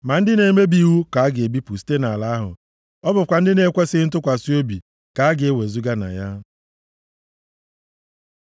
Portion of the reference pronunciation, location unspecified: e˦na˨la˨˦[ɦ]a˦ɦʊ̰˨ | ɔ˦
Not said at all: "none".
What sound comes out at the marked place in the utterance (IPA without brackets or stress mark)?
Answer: none